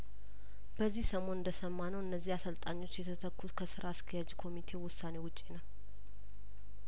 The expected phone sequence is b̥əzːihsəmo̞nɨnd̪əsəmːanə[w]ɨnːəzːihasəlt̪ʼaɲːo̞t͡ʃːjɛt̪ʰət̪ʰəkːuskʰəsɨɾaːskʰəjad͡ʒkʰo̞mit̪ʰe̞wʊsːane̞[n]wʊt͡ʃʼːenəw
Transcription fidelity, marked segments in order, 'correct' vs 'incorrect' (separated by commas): correct, incorrect